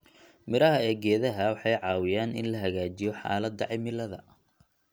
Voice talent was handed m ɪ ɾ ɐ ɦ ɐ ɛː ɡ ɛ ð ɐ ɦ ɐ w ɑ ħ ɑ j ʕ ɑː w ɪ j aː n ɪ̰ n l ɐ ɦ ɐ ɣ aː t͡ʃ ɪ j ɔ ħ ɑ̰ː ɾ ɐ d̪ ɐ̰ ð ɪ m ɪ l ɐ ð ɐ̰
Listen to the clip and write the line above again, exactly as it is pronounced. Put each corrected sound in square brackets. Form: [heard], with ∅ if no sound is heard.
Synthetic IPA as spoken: m ɪ ɾ ɐ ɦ ɐ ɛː ɡ [ɛː] ð ɐ ɦ ɐ w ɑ ħ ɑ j ʕ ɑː w ɪ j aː n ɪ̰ n l ɐ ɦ ɐ ɣ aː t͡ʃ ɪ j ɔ ħ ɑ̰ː [l] ɐ d̪ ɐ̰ [ʕ] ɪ m ɪ l ɐ ð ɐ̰